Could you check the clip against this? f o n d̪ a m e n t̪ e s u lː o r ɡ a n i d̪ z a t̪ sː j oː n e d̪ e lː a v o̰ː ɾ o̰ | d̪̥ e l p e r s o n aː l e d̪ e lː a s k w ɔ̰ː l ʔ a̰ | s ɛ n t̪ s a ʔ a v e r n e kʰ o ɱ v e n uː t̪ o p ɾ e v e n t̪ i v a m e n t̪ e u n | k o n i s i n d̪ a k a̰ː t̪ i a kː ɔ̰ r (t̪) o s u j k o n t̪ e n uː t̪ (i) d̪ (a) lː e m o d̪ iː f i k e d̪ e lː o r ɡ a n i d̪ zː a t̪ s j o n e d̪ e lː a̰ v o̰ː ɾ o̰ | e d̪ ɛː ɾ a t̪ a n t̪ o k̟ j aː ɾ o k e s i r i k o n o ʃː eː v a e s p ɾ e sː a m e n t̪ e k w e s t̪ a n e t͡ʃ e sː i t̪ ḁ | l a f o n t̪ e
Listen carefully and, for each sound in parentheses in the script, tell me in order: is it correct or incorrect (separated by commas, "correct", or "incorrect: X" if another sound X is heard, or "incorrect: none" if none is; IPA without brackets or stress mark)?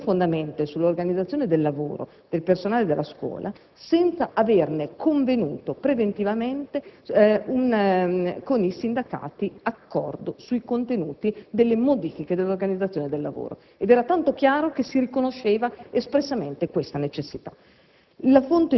incorrect: d̪, correct, incorrect: e